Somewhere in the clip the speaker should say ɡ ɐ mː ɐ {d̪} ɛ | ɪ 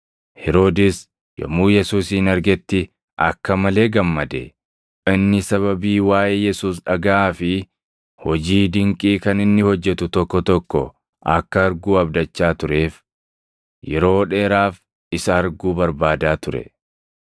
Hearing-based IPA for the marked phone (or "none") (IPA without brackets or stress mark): d̪